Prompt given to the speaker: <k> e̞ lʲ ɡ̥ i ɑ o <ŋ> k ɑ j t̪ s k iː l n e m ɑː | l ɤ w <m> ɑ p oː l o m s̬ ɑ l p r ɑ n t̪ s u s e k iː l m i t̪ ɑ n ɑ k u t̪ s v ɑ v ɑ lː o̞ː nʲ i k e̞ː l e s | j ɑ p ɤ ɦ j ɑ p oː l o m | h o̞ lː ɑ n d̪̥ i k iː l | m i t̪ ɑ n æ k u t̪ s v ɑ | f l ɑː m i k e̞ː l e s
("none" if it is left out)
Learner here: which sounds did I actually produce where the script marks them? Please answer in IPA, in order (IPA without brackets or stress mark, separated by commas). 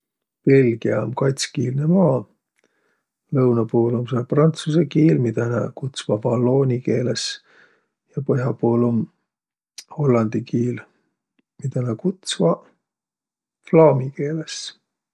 p, m, n